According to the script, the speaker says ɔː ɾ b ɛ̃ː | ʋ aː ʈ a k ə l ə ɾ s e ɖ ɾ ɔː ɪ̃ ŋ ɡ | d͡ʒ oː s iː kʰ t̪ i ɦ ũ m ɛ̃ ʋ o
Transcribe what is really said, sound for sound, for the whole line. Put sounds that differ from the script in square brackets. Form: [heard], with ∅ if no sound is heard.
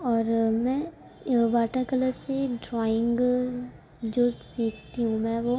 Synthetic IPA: ɔː ɾ [m] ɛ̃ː | ʋ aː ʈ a k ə l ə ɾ s e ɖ ɾ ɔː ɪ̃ ŋ ɡ | d͡ʒ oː s iː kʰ t̪ i ɦ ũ m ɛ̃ ʋ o